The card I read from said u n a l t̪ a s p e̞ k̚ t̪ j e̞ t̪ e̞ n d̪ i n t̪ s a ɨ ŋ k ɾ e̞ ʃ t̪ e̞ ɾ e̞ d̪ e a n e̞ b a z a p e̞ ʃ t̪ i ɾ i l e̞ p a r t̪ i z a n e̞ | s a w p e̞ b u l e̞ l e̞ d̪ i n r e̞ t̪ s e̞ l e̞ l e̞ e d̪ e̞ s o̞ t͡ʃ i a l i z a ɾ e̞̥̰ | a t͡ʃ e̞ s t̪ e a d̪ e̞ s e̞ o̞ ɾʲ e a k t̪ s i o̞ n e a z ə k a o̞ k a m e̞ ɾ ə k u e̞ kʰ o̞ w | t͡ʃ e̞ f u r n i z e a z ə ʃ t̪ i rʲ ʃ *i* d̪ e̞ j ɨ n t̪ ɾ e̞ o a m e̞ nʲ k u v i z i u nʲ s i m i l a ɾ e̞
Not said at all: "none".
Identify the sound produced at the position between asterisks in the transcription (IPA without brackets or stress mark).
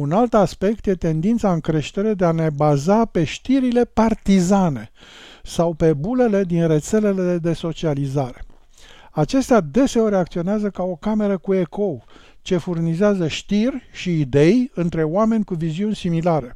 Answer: iː